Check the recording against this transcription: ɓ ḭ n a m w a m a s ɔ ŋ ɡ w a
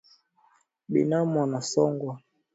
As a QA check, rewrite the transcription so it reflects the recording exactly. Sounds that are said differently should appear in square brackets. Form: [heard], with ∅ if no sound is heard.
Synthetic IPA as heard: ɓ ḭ n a m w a [n] a s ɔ ŋ ɡ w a